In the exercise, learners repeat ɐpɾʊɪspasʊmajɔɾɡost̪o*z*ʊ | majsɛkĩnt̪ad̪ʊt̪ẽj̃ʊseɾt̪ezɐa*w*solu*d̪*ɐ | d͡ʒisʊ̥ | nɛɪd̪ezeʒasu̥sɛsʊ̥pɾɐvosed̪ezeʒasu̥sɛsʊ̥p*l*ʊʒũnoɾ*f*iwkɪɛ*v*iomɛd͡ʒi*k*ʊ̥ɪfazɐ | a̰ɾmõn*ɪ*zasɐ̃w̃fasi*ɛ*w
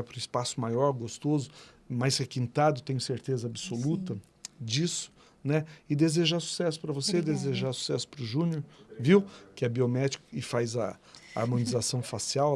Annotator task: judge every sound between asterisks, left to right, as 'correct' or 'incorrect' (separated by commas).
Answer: correct, incorrect, incorrect, incorrect, incorrect, incorrect, correct, incorrect, incorrect